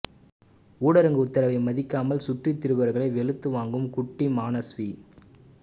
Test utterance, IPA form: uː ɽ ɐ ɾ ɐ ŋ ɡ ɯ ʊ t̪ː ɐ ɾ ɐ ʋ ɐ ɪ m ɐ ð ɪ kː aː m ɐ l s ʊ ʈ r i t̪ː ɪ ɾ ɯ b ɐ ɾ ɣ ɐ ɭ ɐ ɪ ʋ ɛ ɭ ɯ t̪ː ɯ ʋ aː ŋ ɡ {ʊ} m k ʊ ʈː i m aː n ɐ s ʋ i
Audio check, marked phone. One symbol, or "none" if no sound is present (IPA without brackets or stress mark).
ɯ